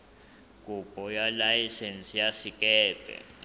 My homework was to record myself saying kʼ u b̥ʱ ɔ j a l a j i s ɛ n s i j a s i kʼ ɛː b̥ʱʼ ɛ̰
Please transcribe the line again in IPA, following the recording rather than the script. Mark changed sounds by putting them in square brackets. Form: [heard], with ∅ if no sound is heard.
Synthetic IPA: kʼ u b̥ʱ ɔ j a l a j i s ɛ n s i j a s i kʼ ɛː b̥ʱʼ ɛ̰